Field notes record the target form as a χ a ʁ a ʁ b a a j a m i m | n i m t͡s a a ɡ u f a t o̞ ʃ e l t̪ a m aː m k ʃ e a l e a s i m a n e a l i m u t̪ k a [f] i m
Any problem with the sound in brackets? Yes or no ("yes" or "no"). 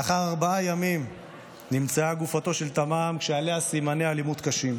yes